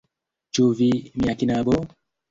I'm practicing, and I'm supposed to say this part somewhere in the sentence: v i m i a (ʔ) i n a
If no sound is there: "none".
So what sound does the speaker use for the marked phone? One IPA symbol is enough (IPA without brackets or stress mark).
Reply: k